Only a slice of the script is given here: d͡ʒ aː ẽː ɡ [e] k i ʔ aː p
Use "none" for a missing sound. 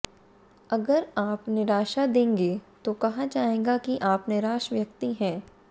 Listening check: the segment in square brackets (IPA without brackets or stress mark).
a